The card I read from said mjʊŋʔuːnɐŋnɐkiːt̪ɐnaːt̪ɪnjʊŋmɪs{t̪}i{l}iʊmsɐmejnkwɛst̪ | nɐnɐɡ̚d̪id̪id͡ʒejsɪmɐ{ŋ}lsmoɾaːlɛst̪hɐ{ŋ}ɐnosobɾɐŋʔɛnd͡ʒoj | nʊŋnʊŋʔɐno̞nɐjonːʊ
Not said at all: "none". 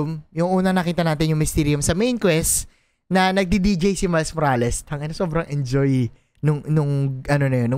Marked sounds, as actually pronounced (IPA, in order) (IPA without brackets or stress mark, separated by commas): t̪, ɾ, none, ŋ